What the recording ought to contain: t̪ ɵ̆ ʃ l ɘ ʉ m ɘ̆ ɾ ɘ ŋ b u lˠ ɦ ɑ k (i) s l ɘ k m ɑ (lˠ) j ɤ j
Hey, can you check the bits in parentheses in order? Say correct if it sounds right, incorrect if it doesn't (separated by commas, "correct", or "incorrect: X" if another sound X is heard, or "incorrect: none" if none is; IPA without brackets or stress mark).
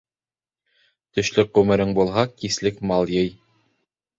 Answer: correct, correct